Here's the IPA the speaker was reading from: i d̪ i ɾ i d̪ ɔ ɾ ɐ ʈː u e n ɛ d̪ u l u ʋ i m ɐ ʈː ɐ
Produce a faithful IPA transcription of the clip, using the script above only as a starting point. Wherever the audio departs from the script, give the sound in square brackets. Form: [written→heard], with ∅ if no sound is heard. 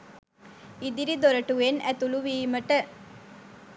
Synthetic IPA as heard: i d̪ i ɾ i d̪ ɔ ɾ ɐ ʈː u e n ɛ [d̪→t̪] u l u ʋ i m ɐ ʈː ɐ